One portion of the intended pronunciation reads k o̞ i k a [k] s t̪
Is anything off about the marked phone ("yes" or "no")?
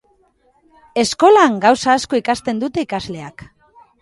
yes